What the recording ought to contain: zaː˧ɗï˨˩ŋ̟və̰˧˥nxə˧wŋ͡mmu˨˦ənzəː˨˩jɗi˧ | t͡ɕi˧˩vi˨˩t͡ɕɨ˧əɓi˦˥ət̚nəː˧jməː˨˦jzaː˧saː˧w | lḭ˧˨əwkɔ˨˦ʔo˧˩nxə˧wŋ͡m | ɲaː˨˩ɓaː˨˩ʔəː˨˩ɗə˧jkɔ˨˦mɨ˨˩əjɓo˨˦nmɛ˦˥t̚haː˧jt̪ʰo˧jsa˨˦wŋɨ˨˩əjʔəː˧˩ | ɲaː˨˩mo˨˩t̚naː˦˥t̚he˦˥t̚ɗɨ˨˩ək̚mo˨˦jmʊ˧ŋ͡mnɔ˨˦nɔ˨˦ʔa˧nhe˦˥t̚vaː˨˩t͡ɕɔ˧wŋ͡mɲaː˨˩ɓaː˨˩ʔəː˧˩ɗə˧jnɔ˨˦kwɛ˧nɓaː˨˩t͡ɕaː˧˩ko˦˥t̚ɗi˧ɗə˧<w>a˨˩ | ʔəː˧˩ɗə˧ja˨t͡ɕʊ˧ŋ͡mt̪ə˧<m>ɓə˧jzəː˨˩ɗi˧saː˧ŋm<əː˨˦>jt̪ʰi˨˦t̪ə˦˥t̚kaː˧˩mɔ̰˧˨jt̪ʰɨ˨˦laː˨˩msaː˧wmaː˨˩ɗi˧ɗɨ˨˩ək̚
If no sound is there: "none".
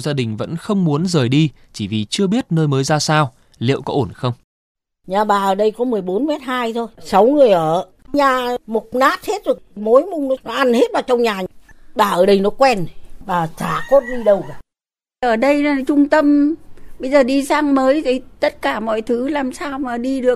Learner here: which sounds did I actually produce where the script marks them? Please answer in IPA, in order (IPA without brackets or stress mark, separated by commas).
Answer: w, m, əː˨˦